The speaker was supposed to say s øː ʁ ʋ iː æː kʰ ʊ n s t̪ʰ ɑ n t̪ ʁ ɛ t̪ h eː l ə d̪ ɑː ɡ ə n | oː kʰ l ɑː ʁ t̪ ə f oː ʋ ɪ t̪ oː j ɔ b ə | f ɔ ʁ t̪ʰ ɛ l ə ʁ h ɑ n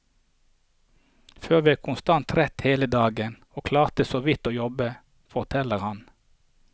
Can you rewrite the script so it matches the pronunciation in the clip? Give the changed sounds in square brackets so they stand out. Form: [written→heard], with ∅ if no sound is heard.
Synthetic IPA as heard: [s→f] øː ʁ ʋ iː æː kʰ ʊ n s [t̪ʰ→t̪] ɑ n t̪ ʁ ɛ t̪ h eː l ə d̪ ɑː ɡ ə n | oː kʰ l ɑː ʁ t̪ ə [f→s] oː ʋ ɪ t̪ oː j ɔ b ə | f ɔ ʁ t̪ʰ ɛ l ə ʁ h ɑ n